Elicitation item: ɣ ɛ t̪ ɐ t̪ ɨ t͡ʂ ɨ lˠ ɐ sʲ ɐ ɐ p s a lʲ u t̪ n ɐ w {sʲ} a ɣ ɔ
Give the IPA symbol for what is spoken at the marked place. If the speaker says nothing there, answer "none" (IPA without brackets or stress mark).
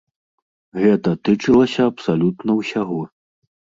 sʲ